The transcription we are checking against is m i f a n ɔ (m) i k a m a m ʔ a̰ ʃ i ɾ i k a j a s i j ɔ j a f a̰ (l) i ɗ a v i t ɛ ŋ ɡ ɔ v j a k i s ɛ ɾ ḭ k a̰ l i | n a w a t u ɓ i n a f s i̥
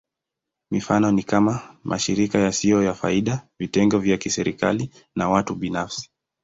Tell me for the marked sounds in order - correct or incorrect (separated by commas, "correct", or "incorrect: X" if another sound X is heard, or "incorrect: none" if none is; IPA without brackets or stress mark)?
incorrect: n, incorrect: none